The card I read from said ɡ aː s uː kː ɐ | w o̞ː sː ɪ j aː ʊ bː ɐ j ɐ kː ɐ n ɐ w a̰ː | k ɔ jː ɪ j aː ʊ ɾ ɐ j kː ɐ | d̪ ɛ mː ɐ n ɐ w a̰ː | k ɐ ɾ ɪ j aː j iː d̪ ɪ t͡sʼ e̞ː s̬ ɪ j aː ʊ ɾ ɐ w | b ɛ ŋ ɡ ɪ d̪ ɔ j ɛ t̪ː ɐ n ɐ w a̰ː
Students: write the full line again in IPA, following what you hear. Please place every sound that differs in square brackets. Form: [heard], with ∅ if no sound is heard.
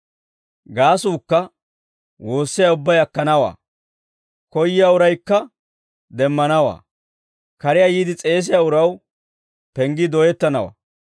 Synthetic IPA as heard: ɡ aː s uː kː ɐ | w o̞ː sː ɪ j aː ʊ bː ɐ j ɐ kː ɐ n ɐ w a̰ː | k ɔ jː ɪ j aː ʊ ɾ ɐ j kː ɐ | d̪ ɛ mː ɐ n ɐ w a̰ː | k ɐ ɾ ɪ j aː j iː d̪ ɪ t͡sʼ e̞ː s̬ ɪ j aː ʊ ɾ ɐ w | [p] ɛ ŋ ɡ ɪ d̪ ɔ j ɛ t̪ː ɐ n ɐ w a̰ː

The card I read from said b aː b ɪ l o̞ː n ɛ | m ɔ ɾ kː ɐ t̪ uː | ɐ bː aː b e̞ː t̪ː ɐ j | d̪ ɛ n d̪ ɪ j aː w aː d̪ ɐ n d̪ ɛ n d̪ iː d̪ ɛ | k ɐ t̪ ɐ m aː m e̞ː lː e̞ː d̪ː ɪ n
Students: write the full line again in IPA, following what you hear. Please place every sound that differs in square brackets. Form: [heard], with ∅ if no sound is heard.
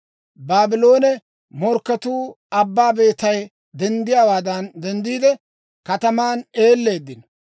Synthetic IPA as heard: b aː b ɪ l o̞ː n ɛ | m ɔ ɾ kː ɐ t̪ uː | ɐ bː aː b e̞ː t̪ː ɐ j | d̪ ɛ n d̪ ɪ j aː w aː d̪ ɐ n d̪ ɛ n d̪ iː d̪ ɛ | k ɐ t̪ ɐ m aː [n] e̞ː lː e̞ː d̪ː ɪ n

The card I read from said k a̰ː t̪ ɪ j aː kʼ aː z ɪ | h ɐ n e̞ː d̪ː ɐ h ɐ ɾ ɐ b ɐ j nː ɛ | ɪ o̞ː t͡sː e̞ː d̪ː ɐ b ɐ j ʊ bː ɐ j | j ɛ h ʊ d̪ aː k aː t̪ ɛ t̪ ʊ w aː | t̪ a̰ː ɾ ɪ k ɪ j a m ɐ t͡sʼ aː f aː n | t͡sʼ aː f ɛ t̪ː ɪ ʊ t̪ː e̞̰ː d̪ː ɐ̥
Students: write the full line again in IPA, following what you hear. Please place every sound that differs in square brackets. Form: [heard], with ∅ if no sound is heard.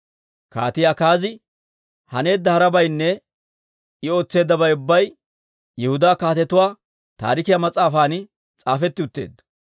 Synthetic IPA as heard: k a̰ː t̪ ɪ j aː [k] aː z ɪ | h ɐ n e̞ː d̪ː ɐ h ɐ ɾ ɐ b ɐ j nː ɛ | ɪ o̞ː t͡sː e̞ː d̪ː ɐ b ɐ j ʊ bː ɐ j | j ɛ h ʊ d̪ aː k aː t̪ ɛ t̪ ʊ w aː | t̪ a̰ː ɾ ɪ k ɪ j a m ɐ t͡sʼ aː f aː n | t͡sʼ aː f ɛ t̪ː ɪ ʊ t̪ː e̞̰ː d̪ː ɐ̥

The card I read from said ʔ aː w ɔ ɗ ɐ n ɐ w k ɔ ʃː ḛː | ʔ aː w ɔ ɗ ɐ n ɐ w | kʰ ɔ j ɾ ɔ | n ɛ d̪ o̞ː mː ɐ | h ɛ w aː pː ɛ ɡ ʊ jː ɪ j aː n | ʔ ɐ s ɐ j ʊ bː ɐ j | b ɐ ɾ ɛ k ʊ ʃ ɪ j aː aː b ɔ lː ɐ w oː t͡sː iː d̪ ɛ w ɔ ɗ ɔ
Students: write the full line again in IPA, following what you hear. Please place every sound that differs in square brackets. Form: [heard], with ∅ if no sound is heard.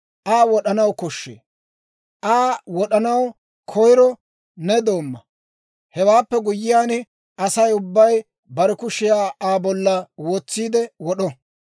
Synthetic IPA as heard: ʔ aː w ɔ ɗ ɐ n ɐ w k ɔ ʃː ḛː | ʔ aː w ɔ ɗ ɐ n ɐ w | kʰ ɔ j ɾ ɔ | n ɛ d̪ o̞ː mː ɐ | h ɛ w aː pː ɛ ɡ ʊ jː ɪ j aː n | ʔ ɐ s ɐ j ʊ bː ɐ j | b ɐ ɾ ɛ k ʊ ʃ ɪ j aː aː b ɔ lː ɐ w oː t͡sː iː d̪ ɛ w ɔ ɗ ɔ

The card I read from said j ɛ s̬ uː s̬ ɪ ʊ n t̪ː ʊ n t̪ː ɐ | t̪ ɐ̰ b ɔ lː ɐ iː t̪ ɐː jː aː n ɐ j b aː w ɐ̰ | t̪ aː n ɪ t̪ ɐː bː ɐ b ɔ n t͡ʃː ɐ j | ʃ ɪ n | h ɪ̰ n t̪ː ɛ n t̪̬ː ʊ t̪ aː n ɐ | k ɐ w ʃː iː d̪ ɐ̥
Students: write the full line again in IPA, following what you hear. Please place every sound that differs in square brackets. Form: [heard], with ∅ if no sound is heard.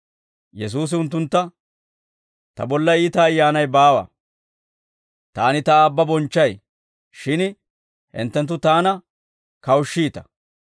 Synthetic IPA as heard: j ɛ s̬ uː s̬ ɪ ʊ n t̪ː ʊ n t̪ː ɐ | t̪ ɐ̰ b ɔ lː ɐ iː t̪ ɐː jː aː n ɐ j b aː w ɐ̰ | t̪ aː n ɪ t̪ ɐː bː ɐ b ɔ n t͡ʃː ɐ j | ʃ ɪ n | h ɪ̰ n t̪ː ɛ n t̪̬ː ʊ t̪ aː n ɐ | k ɐ w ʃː iː [t̪] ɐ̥

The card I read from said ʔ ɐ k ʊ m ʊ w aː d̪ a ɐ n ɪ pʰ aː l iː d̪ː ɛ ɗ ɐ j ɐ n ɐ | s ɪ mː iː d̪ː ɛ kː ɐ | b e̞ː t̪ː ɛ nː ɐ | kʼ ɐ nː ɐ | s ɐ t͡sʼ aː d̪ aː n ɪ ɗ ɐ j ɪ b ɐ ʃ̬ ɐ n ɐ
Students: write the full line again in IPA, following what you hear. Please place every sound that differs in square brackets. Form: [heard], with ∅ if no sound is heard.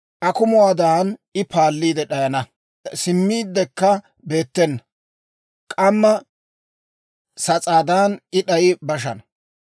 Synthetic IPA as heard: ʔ ɐ k ʊ m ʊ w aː d̪ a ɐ n ɪ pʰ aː [lː] iː [d̪] ɛ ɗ ɐ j ɐ n ɐ | s ɪ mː iː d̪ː ɛ kː ɐ | b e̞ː t̪ː ɛ nː ɐ | kʼ ɐ [mː] ɐ | s ɐ t͡sʼ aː d̪ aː n ɪ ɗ ɐ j ɪ b ɐ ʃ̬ ɐ n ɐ

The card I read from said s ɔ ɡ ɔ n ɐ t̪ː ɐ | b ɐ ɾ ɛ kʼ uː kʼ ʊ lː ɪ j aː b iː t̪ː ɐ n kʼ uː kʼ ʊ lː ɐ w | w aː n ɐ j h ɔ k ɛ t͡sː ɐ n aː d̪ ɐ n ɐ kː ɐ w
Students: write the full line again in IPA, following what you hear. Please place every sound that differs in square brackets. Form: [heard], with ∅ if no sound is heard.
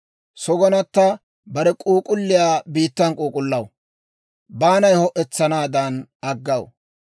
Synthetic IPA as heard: s ɔ ɡ ɔ n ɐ t̪ː ɐ | b ɐ ɾ ɛ kʼ uː kʼ ʊ lː ɪ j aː b iː t̪ː ɐ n kʼ uː kʼ ʊ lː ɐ w | [b] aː n ɐ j h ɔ [ʔ] ɛ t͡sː ɐ n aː d̪ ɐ n ɐ [ɡː] ɐ w

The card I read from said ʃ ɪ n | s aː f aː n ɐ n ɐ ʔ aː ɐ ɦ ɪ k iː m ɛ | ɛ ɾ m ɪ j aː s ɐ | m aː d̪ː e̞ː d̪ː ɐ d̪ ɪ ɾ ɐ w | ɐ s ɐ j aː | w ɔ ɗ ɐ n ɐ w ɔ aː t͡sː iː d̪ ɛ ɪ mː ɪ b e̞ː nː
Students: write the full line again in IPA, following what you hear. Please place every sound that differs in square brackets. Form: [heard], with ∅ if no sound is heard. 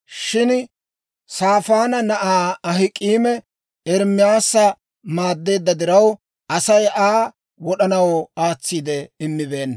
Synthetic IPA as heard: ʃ ɪ n | s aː f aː n ɐ n ɐ ʔ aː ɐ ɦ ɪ [kʼ] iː m ɛ | ɛ ɾ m ɪ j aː s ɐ | m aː d̪ː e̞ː d̪ː ɐ d̪ ɪ ɾ ɐ w | ɐ s ɐ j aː | w ɔ ɗ ɐ n ɐ w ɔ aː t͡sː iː d̪ ɛ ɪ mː ɪ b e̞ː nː

